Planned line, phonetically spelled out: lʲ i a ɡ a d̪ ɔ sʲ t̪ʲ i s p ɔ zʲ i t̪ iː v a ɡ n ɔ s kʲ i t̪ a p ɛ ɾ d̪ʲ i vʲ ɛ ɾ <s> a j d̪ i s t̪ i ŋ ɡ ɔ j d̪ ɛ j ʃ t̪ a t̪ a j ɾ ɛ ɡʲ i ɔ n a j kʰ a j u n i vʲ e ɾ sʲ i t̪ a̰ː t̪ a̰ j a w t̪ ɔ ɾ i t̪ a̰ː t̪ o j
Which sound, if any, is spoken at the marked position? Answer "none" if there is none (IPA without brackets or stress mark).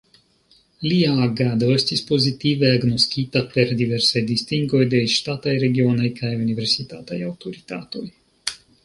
s